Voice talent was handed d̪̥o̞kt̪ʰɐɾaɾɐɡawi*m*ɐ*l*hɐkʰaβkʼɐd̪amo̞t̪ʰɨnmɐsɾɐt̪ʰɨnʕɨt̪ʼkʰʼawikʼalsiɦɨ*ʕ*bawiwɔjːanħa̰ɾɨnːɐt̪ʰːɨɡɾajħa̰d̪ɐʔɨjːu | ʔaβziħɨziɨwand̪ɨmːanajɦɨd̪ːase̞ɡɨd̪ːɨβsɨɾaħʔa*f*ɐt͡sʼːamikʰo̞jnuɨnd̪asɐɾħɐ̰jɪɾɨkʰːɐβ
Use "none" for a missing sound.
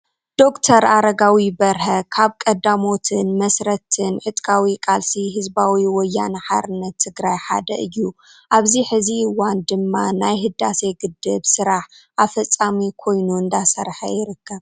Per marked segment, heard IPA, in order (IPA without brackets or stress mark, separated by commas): b, ɾ, z, f